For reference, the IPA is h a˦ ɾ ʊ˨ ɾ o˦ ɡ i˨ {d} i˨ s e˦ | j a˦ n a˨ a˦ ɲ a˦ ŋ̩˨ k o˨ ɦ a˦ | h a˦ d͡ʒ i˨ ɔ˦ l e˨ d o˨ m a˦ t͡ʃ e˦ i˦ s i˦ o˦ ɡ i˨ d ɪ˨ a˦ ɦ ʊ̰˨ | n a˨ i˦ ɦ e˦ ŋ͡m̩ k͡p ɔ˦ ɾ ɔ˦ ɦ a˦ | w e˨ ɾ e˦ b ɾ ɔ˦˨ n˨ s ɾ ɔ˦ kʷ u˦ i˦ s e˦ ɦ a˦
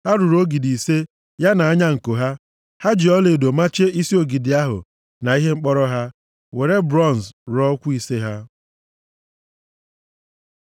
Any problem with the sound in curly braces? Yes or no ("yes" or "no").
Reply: no